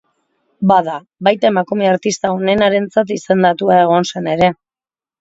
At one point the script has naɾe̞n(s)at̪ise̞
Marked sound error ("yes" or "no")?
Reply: yes